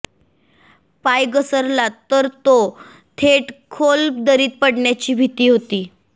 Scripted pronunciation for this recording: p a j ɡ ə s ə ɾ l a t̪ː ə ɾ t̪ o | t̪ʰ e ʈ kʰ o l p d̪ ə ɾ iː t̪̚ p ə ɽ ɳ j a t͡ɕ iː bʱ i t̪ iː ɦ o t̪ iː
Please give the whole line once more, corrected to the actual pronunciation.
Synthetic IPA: p a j ɡ ə s ə ɾ l a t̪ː ə ɾ t̪ o | t̪ʰ e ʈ kʰ o l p d̪ ə ɾ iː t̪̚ p ə ɽ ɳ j a t͡ɕ iː bʱ i t̪ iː ɦ o t̪ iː

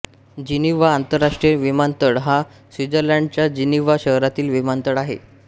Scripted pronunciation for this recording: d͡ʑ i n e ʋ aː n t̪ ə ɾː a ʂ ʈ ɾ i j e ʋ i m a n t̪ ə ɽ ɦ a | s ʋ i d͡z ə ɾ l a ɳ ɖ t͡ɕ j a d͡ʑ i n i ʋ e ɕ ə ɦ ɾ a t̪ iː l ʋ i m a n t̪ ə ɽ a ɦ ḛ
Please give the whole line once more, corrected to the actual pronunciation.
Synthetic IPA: d͡ʑ i n i ʋ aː n t̪ ə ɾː a ʂ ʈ ɾ i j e ʋ i m a n t̪ ə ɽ ɦ a | s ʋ i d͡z ə ɾ l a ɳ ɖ t͡ɕ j a d͡ʑ i n i ʋ a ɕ ə ɦ ɾ a t̪ iː l ʋ i m a n t̪ ə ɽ a ɦ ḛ

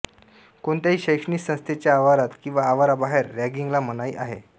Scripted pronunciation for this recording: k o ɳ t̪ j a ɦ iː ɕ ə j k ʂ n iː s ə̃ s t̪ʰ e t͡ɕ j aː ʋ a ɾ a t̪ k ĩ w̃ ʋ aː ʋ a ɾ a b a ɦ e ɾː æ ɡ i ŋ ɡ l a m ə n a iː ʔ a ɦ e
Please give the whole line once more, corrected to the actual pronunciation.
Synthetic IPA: k o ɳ t̪ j a ɦ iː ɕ ə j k ʂ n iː s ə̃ s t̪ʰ e t͡ɕ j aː ʋ a ɾ a t̪ k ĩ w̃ ʋ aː ʋ a ɾ a b a ɦ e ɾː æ ɡ i ŋ ɡ l a m ə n a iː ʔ a ɦ e

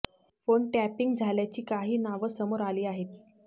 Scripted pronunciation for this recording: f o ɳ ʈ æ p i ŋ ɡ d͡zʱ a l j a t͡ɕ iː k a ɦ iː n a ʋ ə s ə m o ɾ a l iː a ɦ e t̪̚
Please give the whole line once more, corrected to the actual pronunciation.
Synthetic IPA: f o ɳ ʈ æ p i ŋ ɡ d͡zʱ a l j a t͡ɕ iː k a ɦ iː n a ʋ ə s ə m o ɾ a l iː a ɦ e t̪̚

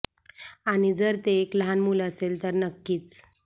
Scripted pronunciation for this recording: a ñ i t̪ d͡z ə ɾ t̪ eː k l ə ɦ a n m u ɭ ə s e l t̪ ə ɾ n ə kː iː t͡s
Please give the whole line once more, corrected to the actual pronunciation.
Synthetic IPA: a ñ i d͡z ə ɾ t̪ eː k l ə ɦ a n m u l ə s e l t̪ ə ɾ n ə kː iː t͡s

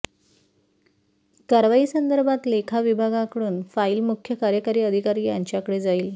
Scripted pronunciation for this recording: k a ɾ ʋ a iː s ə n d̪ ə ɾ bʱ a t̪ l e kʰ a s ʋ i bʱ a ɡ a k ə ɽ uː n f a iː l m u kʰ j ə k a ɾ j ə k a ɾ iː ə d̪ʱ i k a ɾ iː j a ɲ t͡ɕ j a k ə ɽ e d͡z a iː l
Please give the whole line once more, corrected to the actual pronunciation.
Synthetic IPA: k a ɾ ʋ a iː s ə n d̪ ə ɾ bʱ a t̪ l e kʰ a ʋ i bʱ a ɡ a k ə ɽ uː n f a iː l m u kʰ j ə k a ɾ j ə k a ɾ iː ə d̪ʱ i k a ɾ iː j a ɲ t͡ɕ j a k ə ɽ e d͡z a iː l

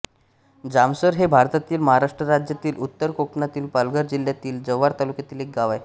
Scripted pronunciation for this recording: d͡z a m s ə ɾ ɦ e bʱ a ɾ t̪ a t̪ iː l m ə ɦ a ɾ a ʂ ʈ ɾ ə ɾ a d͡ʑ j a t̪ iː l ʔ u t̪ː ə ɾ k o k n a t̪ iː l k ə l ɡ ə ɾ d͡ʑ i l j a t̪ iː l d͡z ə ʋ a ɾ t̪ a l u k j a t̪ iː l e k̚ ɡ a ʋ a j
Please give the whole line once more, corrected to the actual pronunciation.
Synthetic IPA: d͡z a m s ə ɾ ɦ e bʱ a ɾ t̪ a t̪ iː l m ə ɦ a ɾ a ʂ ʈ ɾ ə ɾ a d͡ʑ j a t̪ iː l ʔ u t̪ː ə ɾ k o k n a t̪ iː l p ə l ɡ ə ɾ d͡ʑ i l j a t̪ iː l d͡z ə ʋ a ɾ t̪ a l u k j a t̪ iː l e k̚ ɡ a ʋ a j

